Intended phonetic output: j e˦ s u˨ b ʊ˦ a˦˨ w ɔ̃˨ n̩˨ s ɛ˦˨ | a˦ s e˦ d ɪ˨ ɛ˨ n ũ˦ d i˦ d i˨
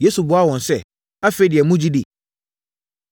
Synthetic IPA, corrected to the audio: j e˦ s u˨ b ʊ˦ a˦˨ w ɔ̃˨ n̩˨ s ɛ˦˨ | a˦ f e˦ d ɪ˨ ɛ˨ m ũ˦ d͡ʑ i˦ d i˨